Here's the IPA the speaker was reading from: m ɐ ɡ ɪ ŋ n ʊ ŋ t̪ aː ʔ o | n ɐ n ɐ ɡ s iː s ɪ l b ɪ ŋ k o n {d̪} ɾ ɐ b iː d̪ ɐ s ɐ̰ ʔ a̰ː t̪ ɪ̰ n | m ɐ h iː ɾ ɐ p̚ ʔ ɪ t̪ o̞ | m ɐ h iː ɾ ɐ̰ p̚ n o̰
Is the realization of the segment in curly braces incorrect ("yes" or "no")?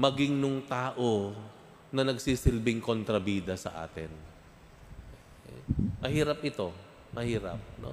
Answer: yes